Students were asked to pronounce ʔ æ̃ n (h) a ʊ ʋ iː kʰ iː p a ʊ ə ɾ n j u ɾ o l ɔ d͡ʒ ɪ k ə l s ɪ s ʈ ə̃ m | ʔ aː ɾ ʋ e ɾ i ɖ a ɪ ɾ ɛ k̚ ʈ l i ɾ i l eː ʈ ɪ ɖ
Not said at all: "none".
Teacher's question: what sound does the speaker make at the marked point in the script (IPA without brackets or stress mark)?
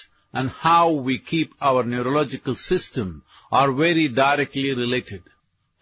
h